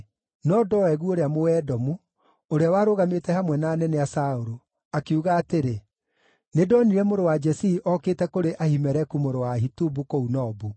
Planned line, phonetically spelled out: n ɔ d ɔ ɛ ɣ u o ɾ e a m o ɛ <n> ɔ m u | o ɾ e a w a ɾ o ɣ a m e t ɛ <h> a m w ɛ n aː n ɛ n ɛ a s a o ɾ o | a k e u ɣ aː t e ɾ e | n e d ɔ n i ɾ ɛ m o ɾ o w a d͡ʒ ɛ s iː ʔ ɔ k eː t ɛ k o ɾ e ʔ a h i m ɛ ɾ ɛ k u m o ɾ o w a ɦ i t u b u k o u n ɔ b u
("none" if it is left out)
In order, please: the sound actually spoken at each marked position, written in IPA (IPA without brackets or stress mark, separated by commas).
d, h